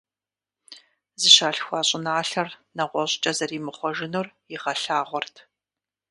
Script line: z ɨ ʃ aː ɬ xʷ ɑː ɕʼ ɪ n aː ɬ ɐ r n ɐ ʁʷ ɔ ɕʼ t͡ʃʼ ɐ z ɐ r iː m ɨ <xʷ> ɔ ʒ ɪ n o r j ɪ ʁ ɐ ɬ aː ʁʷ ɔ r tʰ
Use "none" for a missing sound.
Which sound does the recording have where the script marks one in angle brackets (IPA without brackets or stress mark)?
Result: χʷ